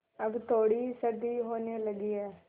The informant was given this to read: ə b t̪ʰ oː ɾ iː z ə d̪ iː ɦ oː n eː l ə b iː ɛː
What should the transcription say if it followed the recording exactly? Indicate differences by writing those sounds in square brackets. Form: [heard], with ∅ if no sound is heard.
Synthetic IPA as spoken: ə b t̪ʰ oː [ɽ] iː [s] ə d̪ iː ɦ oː n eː l ə [ɡ] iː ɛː